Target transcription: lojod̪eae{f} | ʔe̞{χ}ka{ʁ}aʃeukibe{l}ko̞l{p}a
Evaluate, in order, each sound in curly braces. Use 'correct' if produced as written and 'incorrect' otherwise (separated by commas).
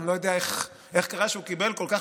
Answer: incorrect, correct, correct, correct, incorrect